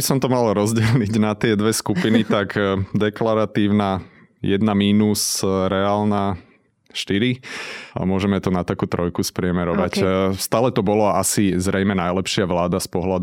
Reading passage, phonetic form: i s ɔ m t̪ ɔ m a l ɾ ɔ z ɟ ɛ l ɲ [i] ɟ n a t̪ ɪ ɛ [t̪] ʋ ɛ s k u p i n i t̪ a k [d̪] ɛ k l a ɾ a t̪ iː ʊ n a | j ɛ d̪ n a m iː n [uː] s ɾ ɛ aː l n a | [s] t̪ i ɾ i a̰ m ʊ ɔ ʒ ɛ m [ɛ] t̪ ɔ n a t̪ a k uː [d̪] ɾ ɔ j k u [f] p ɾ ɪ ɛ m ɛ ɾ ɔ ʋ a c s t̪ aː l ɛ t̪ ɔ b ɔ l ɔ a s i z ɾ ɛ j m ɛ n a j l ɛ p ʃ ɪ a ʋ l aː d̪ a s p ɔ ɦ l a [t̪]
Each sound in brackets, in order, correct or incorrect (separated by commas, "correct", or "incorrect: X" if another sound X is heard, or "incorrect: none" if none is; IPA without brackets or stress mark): correct, incorrect: d̪, correct, incorrect: u, incorrect: ʃ, correct, incorrect: t̪, incorrect: s, incorrect: d̪